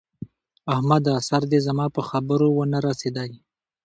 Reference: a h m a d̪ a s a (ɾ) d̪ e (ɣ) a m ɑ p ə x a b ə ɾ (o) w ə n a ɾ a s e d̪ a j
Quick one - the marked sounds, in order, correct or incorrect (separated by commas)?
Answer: correct, incorrect, correct